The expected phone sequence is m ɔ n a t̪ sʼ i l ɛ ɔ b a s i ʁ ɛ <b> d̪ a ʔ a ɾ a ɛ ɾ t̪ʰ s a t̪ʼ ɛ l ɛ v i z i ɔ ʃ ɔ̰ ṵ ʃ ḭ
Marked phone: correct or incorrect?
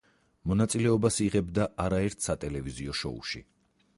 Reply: correct